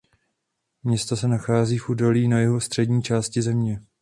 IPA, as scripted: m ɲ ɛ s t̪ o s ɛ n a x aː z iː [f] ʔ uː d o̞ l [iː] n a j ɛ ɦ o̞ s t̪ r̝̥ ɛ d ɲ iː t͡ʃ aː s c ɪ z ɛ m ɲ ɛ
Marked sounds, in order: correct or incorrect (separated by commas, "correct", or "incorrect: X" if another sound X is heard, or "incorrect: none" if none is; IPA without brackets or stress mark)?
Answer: correct, correct